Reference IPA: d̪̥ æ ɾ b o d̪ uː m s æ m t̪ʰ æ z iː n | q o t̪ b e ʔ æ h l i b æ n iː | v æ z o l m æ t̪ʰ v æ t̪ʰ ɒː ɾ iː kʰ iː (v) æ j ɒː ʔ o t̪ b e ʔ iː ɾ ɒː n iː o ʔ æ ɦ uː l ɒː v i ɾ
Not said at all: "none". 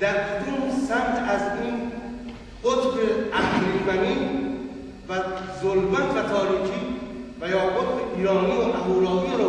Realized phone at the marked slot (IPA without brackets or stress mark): v